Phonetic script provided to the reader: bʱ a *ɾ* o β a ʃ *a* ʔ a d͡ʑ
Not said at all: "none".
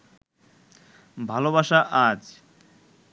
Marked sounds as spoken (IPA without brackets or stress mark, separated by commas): l, a